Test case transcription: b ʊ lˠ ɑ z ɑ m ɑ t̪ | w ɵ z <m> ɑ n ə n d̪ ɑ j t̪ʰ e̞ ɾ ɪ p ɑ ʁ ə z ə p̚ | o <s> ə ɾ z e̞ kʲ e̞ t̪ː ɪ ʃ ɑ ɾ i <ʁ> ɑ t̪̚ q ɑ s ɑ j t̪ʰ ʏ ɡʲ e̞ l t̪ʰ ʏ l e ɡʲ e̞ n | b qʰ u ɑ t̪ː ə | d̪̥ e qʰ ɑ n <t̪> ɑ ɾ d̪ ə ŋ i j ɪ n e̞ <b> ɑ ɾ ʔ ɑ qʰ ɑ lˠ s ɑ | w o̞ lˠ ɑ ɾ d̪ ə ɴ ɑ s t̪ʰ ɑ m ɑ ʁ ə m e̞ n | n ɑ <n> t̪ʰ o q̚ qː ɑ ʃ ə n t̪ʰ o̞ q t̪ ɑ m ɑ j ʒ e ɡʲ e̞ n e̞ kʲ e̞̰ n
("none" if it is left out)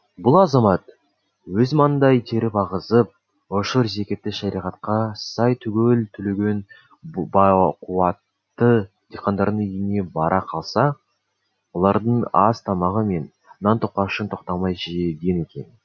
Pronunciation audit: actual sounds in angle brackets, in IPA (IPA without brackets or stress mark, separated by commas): m, ʃ, ʁ, d̪, b, n